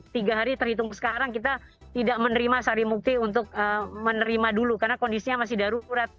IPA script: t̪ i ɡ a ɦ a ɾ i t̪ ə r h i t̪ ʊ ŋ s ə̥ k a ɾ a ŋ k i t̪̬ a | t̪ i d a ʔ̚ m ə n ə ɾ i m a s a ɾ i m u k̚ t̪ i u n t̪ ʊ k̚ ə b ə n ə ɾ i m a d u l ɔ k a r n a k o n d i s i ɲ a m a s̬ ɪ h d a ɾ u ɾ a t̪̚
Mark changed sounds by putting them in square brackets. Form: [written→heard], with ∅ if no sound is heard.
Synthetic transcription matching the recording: t̪ i ɡ a ɦ a ɾ i t̪ ə r h i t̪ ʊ ŋ s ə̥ k a ɾ a ŋ k i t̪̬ a | t̪ i d a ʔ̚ m ə n ə ɾ i m a s a ɾ i m u k̚ t̪ i u n t̪ ʊ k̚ ə [b→m] ə n ə ɾ i m a d u l [ɔ→u] k a r n a k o n d i s i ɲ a m a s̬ ɪ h d a ɾ u ɾ a t̪̚

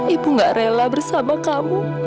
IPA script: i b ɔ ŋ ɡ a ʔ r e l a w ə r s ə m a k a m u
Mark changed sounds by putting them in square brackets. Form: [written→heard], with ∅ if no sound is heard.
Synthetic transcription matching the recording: i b [ɔ→u] ŋ ɡ a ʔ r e l a [w→b] ə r s [ə→a] m a k a m u

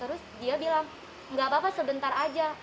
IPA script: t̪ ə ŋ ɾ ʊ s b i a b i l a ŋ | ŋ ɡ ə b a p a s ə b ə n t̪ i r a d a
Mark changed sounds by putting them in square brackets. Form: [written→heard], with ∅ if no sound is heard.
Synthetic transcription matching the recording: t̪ ə [ŋ→∅] ɾ ʊ s [b→d] i a b i l a ŋ | ŋ ɡ [ə→a] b a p a s ə b ə n t̪ [i→a] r a [d→d͡ʒ] a

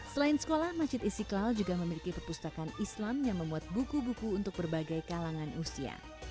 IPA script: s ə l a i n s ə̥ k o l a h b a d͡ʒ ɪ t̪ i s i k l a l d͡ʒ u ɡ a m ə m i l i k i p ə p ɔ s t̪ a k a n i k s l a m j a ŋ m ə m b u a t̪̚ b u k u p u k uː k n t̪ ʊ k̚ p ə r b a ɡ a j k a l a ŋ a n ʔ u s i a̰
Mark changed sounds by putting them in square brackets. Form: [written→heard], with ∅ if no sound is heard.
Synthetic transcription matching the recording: s ə l a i n s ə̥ k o l a h [b→m] a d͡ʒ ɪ t̪ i s i k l a l d͡ʒ u ɡ a m ə m i l i k i p ə p [ɔ→u] s t̪ a k a n i [k→∅] s l a m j a ŋ m ə m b u a t̪̚ b u k u [p→b] u k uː [k→∅] n t̪ ʊ k̚ [p→b] ə r b a ɡ a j k a l a ŋ a n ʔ u s i a̰

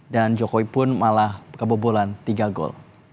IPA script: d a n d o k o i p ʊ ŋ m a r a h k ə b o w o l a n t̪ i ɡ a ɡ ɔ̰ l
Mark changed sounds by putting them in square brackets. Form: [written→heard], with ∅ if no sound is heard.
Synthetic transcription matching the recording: d a n [d→d͡ʒ] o k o i p ʊ [ŋ→n] m a [r→l] a h k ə b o [w→b] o l a n t̪ i ɡ a ɡ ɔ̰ l

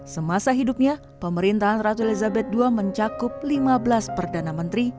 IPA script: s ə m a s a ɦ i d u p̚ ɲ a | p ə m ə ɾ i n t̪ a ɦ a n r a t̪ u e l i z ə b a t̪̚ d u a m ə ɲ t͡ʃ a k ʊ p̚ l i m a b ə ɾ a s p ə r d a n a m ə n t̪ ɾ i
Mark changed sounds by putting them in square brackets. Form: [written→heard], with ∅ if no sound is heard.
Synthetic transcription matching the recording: s ə m a s a ɦ i d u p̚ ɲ a | p ə m ə ɾ i n t̪ a ɦ a n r a t̪ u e l i z [ə→a] b [a→ɛ] t̪̚ d u a m ə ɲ t͡ʃ a k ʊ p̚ l i m a b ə [ɾ→l] a s p ə r d a n a m ə n t̪ ɾ i

